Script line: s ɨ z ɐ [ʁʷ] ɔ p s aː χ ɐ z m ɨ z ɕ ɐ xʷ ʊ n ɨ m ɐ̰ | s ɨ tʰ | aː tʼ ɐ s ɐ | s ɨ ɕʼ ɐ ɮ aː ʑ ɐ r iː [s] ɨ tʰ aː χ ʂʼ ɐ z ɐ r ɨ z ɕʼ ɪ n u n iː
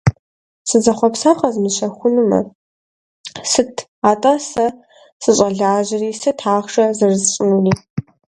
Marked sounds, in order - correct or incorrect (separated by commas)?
incorrect, correct